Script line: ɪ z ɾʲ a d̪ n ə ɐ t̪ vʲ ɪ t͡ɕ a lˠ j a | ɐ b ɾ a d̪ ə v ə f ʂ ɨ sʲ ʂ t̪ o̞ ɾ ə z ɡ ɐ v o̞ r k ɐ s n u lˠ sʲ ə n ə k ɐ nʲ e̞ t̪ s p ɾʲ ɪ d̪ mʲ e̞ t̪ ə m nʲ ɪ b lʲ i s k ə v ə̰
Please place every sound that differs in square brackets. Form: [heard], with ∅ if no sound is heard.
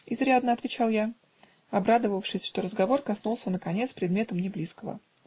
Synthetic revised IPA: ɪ z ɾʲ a d̪ n ə ɐ t̪ vʲ ɪ t͡ɕ a lˠ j a | ɐ b ɾ a d̪ ə v ə f ʂ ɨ sʲ ʂ t̪ o̞ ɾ ə z ɡ ɐ v o̞ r k ɐ s n u lˠ sʲ ə n ə k ɐ nʲ e̞ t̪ s p ɾʲ ɪ d̪ mʲ e̞ t̪ ə m nʲ ɪ b lʲ i s k ə v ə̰